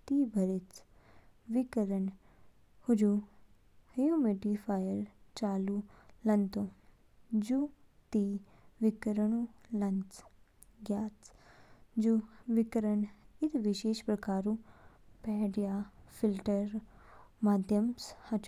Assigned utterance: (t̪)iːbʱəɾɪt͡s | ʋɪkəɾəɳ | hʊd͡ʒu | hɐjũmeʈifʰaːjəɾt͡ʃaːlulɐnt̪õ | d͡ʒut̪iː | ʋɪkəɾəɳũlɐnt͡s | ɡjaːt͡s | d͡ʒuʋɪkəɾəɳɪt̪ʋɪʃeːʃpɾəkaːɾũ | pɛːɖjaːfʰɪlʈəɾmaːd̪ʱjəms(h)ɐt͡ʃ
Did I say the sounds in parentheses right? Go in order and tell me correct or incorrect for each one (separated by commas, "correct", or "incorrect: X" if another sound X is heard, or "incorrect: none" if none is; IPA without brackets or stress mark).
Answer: correct, correct